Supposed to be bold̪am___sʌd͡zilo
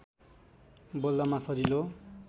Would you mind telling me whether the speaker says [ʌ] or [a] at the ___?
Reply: a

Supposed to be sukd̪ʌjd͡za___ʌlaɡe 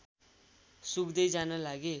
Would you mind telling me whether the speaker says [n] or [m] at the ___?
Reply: n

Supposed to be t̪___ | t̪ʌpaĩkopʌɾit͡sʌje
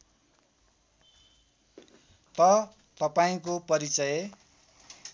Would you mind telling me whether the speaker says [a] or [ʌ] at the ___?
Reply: ʌ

